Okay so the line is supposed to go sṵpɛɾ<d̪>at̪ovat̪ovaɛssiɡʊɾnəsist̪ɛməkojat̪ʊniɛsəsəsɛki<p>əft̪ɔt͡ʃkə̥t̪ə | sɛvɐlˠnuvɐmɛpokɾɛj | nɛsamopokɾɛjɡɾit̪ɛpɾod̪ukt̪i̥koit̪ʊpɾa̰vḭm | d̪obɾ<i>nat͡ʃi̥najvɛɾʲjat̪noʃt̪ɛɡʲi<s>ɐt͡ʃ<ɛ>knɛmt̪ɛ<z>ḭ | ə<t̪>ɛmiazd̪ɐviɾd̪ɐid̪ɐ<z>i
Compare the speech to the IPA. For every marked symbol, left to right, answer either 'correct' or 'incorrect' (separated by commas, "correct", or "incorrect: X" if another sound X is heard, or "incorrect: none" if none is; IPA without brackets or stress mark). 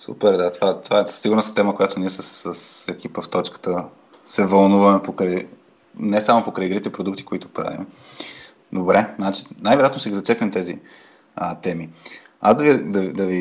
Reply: correct, correct, incorrect: ɛ, incorrect: z, correct, correct, correct, incorrect: v